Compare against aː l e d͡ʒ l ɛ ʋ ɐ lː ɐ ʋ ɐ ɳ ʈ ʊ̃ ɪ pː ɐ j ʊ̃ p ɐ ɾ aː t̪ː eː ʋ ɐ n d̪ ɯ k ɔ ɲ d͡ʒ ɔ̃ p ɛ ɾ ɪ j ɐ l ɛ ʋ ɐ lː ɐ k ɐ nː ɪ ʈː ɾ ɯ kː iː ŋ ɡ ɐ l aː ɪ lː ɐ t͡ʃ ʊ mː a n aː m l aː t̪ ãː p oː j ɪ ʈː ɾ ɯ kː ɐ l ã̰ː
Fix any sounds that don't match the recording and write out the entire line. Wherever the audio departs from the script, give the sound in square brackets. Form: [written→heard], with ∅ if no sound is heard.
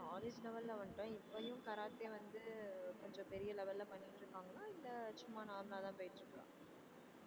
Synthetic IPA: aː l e d͡ʒ l ɛ ʋ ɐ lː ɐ ʋ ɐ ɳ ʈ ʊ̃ ɪ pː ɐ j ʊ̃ [p→k] ɐ ɾ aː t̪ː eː ʋ ɐ n d̪ ɯ k ɔ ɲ d͡ʒ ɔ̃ p ɛ ɾ ɪ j ɐ l ɛ ʋ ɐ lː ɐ [k→p] ɐ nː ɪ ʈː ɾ ɯ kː [iː→aː] ŋ ɡ ɐ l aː ɪ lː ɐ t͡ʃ ʊ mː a n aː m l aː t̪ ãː p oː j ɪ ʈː ɾ ɯ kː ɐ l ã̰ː